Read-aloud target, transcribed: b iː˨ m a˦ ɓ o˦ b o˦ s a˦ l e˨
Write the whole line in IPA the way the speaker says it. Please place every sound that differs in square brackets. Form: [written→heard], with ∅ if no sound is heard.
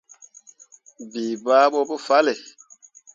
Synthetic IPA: b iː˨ [m→b] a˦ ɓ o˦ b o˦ [s→f] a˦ l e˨

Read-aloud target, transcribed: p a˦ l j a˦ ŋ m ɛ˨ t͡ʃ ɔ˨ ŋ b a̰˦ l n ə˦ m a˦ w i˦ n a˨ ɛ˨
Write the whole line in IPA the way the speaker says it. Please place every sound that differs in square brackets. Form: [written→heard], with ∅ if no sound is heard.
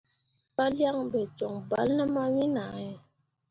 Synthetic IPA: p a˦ l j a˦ ŋ [m→b] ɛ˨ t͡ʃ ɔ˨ ŋ b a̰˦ l n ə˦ m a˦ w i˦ n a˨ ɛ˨

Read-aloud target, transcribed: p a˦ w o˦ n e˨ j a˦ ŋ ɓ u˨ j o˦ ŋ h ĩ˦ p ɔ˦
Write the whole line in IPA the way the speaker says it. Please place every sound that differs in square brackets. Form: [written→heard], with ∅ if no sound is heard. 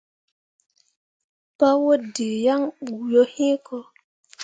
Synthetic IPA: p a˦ w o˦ [n→d] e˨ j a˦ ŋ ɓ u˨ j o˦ [ŋ→∅] h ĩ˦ [p→k] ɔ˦

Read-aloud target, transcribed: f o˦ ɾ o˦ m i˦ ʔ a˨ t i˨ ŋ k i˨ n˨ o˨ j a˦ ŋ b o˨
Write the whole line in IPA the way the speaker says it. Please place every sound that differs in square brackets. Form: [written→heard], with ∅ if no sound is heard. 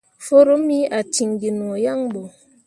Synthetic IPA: f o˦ ɾ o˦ m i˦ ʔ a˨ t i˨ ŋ [k→ɡ] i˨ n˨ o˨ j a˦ ŋ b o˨

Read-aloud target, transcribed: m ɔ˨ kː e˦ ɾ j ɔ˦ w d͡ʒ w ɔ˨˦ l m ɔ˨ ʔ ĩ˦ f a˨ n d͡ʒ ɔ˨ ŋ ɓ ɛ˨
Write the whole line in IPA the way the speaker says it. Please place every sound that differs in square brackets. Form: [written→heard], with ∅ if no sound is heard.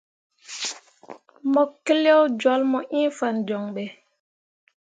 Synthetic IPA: m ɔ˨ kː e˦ [ɾ→l] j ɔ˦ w d͡ʒ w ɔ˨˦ l m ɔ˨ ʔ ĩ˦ f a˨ n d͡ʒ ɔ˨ ŋ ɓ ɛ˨

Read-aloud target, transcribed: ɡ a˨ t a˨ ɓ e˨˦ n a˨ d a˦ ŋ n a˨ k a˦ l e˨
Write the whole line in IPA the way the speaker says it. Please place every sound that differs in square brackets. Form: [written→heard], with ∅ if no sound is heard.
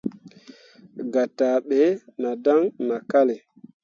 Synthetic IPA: ɡ a˨ t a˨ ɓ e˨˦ n a˨ d a˦ ŋ n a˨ k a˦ l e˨

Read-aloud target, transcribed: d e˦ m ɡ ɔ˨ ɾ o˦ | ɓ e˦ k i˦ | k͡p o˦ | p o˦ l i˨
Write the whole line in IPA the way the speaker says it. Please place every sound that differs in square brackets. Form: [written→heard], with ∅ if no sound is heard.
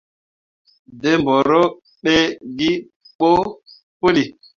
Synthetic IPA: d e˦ m [ɡ→b] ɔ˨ ɾ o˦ | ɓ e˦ [k→ɡ] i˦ | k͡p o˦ | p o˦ l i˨

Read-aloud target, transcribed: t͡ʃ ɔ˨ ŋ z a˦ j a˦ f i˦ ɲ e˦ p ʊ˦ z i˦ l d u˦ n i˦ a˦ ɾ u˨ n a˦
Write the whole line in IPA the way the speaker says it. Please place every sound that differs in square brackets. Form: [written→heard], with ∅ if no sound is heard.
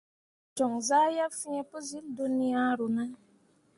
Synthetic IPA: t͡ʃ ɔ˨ ŋ z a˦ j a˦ f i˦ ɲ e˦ p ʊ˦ z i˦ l d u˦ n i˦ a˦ ɾ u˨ n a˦

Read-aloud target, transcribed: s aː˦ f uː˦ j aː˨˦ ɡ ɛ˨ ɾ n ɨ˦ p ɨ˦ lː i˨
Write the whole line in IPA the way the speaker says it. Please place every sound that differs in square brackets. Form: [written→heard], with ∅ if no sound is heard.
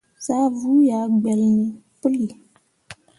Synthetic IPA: s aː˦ [f→v] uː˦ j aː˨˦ [ɡ→ɡ͡b] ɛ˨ [ɾ→l] n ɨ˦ p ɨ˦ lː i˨

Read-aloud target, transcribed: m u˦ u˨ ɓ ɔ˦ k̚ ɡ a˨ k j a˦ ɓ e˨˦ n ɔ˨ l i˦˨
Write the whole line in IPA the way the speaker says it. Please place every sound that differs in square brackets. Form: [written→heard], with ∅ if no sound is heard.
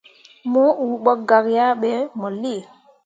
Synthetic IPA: m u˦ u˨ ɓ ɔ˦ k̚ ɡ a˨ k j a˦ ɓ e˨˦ [n→m] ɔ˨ l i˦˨

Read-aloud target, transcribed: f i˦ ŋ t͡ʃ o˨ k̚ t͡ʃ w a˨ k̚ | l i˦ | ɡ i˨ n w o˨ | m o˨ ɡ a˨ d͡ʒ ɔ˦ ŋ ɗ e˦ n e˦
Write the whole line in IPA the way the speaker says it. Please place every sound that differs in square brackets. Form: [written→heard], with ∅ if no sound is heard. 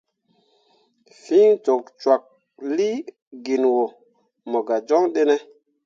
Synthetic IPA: f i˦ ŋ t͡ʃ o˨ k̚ t͡ʃ w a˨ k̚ | l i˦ | ɡ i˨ n w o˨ | m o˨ ɡ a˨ d͡ʒ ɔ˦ ŋ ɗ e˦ n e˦

